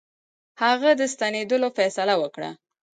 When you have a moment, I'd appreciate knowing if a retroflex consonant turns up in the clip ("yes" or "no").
yes